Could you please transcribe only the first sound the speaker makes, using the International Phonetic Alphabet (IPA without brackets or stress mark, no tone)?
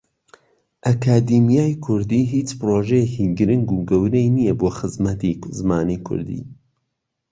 ʔ